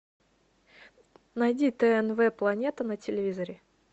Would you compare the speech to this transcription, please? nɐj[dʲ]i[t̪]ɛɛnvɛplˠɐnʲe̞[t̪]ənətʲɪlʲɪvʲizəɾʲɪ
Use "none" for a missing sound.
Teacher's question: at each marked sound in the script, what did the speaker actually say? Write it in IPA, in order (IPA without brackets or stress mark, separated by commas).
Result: dʲ, t̪, t̪